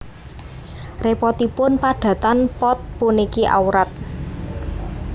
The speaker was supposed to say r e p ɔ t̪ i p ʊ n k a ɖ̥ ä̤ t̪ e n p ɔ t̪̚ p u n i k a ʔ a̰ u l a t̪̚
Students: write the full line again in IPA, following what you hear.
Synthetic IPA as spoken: r e p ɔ t̪ i p ʊ n p a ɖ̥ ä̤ t̪ a n p ɔ t̪̚ p u n i k i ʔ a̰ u ɾ a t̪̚